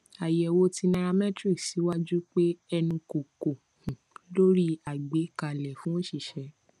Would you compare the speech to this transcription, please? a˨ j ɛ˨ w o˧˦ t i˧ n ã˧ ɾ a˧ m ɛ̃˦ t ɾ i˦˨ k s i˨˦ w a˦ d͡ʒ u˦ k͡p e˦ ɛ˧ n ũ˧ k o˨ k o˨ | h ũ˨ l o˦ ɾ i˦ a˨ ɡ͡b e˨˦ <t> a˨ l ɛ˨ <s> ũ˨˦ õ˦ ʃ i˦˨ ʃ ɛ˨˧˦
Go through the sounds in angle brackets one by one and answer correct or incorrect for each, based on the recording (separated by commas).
incorrect, incorrect